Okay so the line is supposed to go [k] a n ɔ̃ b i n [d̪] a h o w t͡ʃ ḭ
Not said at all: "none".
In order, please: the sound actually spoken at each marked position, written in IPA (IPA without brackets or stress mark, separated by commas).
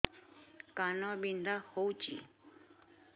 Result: k, d̪